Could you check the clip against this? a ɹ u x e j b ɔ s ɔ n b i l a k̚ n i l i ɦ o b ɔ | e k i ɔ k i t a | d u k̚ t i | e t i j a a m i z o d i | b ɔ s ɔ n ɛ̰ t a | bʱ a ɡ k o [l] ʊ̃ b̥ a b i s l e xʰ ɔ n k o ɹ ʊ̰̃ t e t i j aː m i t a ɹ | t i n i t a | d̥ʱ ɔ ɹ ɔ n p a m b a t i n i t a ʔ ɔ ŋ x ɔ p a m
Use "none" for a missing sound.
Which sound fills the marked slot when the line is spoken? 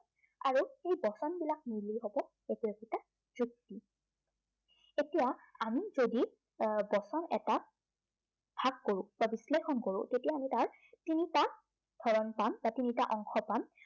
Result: ɹ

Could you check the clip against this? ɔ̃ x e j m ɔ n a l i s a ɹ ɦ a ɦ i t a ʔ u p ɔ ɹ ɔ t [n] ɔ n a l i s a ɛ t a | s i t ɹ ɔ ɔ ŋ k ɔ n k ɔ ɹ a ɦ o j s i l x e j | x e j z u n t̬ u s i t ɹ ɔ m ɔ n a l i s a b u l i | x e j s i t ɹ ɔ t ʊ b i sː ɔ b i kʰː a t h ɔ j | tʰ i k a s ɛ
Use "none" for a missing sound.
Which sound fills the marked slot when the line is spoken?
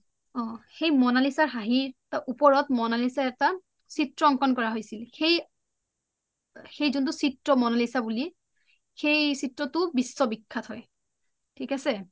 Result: m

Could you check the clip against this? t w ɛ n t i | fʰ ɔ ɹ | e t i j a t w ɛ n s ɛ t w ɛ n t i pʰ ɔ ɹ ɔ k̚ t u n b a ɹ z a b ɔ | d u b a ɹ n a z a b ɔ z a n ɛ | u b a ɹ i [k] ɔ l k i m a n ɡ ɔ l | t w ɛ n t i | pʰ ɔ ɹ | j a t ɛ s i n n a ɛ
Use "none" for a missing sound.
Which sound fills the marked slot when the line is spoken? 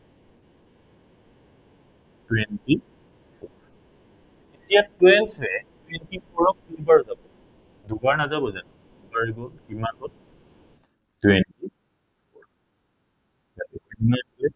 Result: ɡ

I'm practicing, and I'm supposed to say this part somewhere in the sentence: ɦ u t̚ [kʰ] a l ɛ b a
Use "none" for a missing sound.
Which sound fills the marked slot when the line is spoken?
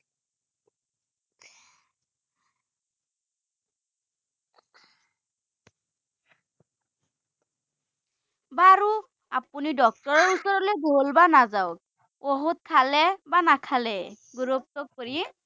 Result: kʰ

